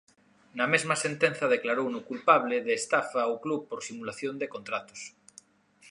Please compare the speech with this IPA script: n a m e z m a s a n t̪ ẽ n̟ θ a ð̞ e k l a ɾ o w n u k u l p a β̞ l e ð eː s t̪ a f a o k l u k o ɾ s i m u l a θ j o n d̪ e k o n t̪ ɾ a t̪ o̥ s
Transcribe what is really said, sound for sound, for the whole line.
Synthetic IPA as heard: n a m e z m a s e n t̪ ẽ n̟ θ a ð̞ e k l a ɾ o w n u k u l p a β̞ l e ð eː s t̪ a f a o k l u p o ɾ s i m u l a θ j o n d̪ e k o n t̪ ɾ a t̪ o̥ s